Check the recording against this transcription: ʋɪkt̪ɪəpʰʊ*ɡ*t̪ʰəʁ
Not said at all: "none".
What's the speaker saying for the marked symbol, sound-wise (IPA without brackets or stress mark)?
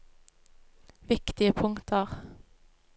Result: ŋ